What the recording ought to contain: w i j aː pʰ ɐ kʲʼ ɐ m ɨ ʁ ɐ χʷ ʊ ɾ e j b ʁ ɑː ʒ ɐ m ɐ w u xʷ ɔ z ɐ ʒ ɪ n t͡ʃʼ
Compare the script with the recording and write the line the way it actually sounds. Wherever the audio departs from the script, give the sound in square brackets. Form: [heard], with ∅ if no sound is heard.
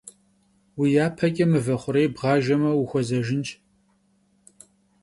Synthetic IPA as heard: w i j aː pʰ ɐ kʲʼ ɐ m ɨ [v] ɐ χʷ ʊ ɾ e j b ʁ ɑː ʒ ɐ m ɐ w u xʷ ɔ z ɐ ʒ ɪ n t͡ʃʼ